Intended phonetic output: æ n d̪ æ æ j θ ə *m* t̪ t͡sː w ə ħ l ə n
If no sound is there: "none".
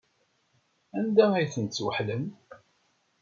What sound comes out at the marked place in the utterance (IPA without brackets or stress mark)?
n